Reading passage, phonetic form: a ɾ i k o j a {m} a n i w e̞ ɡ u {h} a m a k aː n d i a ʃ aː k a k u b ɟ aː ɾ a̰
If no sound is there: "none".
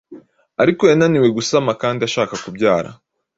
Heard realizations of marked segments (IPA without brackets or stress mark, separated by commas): n, s